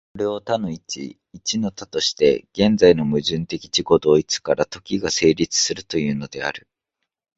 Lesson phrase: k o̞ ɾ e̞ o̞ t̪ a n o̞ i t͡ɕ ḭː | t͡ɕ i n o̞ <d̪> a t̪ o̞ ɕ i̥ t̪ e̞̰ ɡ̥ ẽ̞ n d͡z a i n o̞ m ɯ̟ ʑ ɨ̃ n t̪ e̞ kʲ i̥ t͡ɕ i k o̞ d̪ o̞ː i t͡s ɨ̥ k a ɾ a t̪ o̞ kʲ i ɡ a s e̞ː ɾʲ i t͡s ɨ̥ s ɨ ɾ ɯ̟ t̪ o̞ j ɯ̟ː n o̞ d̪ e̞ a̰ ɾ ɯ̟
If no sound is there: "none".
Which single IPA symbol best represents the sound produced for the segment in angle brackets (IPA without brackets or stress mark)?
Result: t̪